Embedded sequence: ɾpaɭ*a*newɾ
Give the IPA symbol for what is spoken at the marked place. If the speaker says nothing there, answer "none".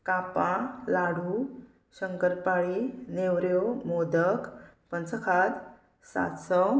i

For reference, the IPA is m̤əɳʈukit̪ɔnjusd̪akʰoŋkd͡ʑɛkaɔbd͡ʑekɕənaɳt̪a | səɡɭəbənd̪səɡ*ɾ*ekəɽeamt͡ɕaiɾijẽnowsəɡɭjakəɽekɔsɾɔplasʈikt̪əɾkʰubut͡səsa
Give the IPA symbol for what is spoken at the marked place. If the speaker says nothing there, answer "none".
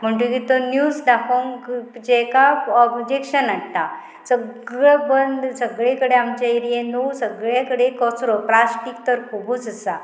ɭ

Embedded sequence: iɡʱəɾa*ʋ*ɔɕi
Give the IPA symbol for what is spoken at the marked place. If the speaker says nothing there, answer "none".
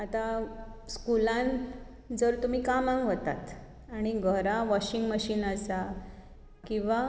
ʋ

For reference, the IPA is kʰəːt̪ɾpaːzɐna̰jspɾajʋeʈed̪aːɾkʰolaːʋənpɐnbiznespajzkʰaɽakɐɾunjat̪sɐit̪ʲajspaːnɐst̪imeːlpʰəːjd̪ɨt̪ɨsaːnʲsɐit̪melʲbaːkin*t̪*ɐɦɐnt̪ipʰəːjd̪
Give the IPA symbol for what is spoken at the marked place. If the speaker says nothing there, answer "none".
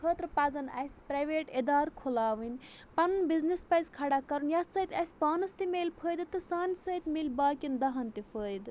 d̪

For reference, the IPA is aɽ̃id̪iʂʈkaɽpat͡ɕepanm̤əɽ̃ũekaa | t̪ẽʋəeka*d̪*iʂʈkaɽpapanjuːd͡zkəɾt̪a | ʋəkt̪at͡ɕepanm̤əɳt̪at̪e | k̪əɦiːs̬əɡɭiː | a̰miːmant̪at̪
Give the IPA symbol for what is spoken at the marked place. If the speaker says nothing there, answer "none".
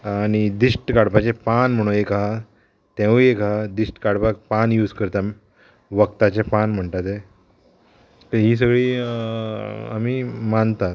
d̪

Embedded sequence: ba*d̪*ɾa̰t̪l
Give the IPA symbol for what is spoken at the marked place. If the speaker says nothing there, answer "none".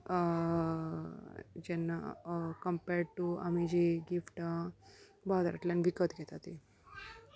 d̪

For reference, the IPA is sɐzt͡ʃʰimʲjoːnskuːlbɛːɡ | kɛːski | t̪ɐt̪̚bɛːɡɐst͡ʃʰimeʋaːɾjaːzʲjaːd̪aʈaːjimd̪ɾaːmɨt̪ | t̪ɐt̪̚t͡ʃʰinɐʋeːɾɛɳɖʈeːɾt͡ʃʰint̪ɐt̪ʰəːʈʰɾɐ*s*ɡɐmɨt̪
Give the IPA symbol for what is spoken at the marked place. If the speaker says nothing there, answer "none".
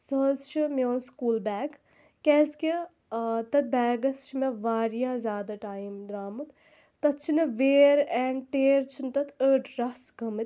s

